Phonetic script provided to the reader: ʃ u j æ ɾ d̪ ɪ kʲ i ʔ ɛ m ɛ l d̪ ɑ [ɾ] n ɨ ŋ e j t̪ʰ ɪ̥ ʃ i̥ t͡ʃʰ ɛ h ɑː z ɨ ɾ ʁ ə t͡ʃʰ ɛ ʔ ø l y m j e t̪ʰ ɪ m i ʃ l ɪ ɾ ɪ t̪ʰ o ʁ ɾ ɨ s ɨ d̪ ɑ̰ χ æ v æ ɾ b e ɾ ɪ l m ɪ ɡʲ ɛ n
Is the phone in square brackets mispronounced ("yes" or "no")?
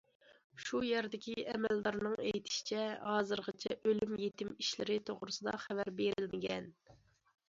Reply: no